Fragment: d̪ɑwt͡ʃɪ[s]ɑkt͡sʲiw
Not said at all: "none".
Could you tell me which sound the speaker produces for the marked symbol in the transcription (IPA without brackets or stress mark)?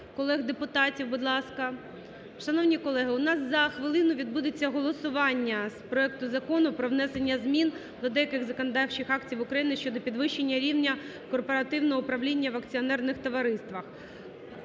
x